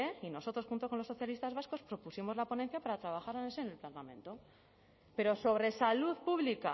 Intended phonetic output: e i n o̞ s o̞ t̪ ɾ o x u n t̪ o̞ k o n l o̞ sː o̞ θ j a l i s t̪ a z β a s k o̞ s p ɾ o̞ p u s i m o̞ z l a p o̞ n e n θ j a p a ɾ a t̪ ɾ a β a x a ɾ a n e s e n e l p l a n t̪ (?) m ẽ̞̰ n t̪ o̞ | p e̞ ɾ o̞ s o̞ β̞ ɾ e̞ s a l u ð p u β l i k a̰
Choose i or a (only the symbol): a